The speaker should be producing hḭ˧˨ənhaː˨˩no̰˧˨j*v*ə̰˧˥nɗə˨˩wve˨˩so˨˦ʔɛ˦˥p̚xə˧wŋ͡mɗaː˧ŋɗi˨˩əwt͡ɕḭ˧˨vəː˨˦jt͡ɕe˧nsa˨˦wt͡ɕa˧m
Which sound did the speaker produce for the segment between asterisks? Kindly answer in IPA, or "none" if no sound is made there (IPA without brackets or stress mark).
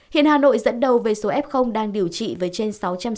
z